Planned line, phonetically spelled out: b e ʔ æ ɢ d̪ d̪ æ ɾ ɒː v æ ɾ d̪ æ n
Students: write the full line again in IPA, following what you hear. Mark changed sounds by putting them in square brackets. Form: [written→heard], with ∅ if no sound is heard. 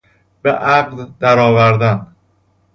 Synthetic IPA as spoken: b e ʔ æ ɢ d̪ d̪ æ ɾ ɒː v æ ɾ d̪ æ n